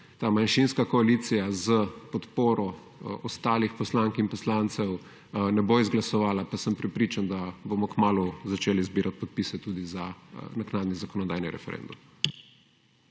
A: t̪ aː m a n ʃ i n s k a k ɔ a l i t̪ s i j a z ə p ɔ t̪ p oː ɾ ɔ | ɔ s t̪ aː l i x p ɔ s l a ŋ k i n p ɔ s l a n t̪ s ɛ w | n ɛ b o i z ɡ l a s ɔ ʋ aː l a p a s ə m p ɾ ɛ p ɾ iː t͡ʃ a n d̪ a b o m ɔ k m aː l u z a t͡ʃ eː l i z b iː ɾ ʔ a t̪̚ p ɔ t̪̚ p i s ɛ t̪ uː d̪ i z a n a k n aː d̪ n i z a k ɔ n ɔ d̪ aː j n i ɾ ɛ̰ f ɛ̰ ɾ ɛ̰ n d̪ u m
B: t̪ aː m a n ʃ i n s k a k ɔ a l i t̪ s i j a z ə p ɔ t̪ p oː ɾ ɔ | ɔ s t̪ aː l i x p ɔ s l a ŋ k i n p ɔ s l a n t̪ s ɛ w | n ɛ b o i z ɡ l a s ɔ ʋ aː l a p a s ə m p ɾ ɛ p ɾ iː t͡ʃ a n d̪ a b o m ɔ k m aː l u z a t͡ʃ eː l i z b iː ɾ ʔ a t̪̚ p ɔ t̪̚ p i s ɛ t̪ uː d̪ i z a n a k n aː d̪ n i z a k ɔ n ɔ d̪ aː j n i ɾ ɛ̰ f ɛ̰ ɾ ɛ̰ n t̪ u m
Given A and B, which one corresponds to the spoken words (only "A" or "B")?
A